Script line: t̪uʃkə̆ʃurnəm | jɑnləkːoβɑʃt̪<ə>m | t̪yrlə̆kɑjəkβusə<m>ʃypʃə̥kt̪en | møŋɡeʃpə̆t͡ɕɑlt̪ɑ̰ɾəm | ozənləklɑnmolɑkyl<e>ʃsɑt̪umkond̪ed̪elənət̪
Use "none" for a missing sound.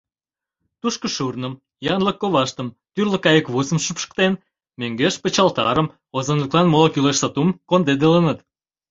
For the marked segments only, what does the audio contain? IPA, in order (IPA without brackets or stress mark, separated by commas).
ə, m, e